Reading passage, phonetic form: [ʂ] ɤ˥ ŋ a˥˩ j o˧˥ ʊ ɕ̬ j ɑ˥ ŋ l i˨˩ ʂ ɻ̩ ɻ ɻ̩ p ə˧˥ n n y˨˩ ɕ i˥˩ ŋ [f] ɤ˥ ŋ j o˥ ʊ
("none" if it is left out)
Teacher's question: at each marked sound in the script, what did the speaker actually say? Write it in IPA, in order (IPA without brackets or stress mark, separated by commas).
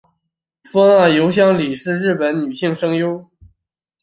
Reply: f, ʂ